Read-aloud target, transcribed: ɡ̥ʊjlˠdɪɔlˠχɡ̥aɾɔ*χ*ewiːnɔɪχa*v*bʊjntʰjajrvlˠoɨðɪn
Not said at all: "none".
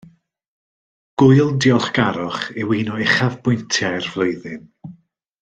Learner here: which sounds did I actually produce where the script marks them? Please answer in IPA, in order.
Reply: χ, v

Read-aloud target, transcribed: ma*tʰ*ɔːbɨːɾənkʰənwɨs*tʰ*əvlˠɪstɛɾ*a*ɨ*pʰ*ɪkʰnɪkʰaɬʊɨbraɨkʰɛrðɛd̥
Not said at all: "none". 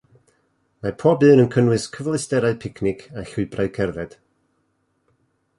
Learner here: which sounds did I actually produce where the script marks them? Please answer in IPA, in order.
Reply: pʰ, kʰ, a, pʰ

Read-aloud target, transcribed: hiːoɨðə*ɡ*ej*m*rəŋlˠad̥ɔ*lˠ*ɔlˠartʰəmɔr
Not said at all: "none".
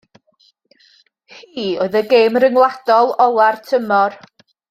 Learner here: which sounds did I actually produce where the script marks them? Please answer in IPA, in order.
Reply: ɡ, m, lˠ

